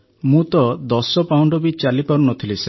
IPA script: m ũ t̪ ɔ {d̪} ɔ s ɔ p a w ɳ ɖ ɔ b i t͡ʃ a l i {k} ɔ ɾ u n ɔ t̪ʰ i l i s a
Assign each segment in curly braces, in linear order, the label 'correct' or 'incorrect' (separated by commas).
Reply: correct, incorrect